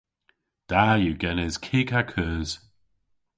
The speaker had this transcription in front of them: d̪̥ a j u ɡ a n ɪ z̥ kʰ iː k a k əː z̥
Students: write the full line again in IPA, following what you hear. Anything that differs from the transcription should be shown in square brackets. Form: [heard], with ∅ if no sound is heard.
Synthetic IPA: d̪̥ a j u ɡ [ɛ] n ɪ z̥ kʰ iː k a [kʰ] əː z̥